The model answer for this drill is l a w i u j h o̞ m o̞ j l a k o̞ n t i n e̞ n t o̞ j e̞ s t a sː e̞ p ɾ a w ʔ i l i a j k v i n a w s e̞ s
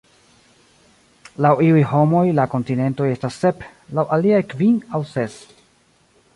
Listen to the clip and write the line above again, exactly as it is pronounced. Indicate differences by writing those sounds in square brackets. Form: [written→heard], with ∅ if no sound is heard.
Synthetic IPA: l a w i u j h o̞ m o̞ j l a k o̞ n t i n e̞ n t o̞ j e̞ s t a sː e̞ p [ɾ→l] a w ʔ [i→a] l i a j k v i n a w s e̞ s

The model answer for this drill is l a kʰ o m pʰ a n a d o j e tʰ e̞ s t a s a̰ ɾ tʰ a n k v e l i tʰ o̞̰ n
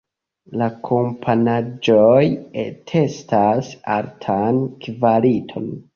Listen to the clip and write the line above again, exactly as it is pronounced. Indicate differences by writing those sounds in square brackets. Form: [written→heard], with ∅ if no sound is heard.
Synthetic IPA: l a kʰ o m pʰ a n a [d→d͡ʒ] o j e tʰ e̞ s t a s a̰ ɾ tʰ a n k v [e→a] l i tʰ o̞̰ n

